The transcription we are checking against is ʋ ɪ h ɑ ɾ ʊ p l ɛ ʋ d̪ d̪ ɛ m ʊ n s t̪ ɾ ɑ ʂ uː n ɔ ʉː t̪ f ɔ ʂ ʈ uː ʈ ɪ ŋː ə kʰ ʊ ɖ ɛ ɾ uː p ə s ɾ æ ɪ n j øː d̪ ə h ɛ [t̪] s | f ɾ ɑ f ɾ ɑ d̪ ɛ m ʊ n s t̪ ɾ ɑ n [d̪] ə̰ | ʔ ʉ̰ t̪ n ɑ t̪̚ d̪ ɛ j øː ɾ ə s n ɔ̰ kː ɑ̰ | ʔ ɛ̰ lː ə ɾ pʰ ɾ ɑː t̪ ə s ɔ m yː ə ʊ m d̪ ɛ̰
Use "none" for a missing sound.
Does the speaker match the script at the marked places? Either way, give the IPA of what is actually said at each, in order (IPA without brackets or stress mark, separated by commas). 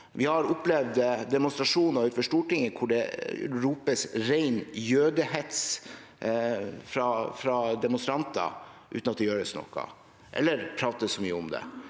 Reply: t̪, t̪